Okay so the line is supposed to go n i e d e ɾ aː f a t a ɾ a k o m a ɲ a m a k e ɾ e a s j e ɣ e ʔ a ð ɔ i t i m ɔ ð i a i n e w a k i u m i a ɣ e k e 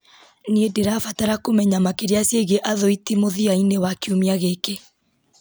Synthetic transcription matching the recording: n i e d e ɾ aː f a t a ɾ a k o m ɛ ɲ a m a k e ɾ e a s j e ɣ e ʔ a ð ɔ i t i m o ð i a i n e w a k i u m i a ɣ e k e